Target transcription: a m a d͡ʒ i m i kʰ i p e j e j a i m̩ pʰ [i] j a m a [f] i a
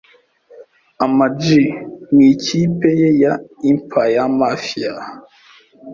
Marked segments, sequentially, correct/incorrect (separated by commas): incorrect, correct